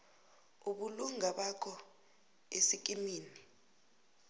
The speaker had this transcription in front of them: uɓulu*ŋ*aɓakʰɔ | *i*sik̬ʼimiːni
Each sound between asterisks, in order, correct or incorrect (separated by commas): correct, incorrect